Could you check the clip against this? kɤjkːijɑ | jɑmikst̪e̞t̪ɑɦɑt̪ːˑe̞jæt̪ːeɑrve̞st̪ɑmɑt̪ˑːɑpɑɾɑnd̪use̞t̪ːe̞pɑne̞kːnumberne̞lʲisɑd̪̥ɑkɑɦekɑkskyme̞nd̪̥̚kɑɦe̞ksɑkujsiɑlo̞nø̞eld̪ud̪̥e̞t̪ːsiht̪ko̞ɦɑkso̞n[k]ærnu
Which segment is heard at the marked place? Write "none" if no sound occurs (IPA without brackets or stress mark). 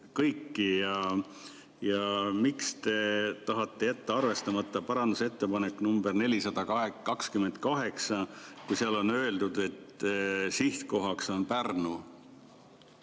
p